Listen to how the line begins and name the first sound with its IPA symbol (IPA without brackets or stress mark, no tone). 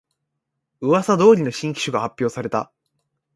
ɯ̟